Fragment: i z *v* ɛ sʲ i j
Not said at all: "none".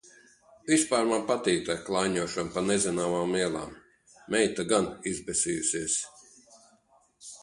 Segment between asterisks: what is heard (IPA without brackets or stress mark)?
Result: b